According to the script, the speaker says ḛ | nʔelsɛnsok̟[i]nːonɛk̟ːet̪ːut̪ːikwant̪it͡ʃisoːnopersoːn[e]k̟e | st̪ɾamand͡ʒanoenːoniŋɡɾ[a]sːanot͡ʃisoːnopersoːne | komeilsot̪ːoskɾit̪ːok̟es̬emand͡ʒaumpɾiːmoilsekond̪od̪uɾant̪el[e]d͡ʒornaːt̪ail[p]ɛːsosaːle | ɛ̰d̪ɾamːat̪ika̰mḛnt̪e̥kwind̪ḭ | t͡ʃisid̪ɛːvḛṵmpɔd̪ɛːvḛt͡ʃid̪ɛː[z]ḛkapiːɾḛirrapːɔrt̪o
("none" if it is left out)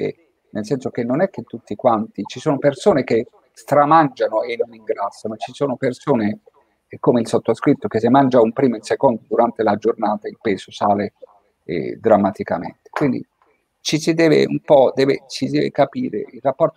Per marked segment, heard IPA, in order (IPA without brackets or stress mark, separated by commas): e, e, a, a, p, v